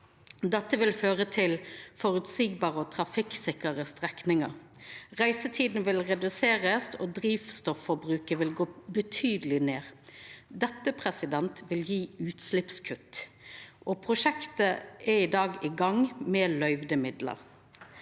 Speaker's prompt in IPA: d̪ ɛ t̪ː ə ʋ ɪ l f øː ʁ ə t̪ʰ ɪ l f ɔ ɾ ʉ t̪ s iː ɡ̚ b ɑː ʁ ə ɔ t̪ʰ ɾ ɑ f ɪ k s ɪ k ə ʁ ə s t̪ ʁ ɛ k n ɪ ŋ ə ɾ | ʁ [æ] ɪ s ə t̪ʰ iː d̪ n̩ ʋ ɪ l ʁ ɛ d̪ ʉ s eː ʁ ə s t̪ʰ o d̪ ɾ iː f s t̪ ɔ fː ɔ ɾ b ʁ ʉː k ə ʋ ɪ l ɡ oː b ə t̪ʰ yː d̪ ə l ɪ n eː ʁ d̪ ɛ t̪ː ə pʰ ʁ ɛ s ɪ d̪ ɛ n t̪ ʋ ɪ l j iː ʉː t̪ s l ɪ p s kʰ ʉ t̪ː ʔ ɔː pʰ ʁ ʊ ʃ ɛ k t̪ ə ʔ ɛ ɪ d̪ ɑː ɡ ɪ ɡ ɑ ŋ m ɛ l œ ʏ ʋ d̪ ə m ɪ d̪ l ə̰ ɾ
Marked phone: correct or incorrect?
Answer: correct